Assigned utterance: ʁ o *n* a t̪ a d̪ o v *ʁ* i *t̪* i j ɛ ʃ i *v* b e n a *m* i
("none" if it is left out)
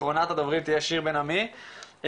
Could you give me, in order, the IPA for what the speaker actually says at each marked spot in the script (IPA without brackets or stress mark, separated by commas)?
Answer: n, ʁ, t̪, ʁ, m